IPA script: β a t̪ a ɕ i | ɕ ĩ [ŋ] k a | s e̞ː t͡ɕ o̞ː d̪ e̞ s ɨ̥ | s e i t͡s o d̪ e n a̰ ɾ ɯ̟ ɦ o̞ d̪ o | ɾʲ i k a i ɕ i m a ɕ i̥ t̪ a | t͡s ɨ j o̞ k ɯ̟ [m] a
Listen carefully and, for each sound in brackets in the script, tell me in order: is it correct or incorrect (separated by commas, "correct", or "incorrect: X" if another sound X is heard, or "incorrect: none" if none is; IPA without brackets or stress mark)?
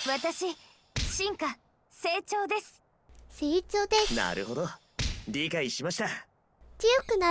correct, incorrect: n